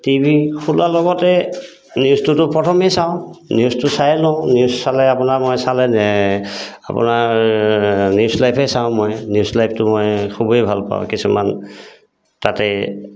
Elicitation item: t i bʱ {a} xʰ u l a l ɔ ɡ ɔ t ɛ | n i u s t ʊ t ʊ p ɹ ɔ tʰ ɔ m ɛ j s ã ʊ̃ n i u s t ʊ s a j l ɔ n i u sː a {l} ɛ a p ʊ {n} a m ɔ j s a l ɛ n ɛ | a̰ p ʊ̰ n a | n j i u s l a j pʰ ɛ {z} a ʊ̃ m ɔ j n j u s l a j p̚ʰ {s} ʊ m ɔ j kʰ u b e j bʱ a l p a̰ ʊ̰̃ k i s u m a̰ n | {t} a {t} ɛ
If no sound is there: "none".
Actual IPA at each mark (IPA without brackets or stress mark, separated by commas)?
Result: i, l, n, s, t, t, t